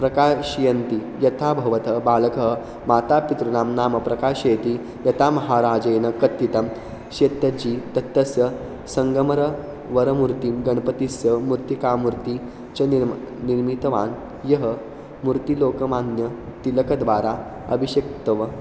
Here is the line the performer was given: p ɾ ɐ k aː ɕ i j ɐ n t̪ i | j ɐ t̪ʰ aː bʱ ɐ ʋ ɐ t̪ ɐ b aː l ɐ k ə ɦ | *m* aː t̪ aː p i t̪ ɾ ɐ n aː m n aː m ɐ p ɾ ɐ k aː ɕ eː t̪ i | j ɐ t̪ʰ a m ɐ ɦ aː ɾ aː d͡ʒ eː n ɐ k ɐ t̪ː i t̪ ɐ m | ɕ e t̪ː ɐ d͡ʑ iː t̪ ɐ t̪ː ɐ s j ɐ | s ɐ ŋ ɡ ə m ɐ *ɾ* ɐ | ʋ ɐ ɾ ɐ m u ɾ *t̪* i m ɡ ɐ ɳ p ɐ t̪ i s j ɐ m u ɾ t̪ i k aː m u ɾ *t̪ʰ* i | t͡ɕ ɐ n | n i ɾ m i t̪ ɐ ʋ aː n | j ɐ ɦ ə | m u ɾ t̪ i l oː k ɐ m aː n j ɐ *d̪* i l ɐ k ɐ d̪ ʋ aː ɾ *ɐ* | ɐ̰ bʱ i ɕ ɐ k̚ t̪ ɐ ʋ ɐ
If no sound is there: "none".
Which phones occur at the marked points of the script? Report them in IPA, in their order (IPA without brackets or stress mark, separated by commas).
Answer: m, ɾ, t̪, t̪, t̪, a